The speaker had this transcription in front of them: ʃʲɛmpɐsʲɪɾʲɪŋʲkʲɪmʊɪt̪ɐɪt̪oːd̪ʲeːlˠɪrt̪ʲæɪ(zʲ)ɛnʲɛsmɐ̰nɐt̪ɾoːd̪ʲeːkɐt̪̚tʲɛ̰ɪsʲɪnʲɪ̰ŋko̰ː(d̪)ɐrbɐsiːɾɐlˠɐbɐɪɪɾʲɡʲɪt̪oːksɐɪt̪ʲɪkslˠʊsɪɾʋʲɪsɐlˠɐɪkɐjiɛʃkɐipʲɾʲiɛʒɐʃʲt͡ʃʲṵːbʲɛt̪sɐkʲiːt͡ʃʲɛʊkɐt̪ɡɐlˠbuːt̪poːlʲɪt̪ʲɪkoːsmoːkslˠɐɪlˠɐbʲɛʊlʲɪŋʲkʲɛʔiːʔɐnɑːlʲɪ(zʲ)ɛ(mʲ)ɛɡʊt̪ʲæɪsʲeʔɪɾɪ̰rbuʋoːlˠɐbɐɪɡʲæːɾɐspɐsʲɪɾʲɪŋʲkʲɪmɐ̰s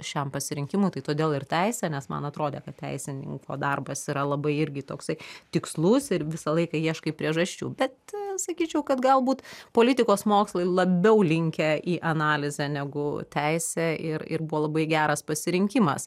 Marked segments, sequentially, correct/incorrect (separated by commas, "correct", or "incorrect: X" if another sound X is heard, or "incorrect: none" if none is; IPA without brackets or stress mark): incorrect: sʲ, correct, correct, incorrect: nʲ